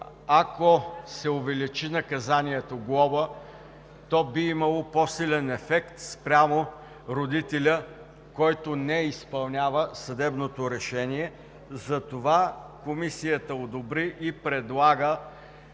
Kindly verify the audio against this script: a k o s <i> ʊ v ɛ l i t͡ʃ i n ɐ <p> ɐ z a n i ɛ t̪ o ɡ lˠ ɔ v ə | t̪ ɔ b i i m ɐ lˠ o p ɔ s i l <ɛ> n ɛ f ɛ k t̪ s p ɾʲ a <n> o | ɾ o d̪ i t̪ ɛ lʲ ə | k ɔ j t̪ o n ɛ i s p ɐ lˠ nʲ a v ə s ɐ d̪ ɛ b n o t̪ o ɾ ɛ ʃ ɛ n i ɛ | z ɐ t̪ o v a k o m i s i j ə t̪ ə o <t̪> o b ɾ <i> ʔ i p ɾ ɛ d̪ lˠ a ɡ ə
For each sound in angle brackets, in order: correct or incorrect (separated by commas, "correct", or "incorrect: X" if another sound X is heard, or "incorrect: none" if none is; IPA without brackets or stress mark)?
incorrect: ɛ, incorrect: k, correct, incorrect: m, incorrect: d̪, correct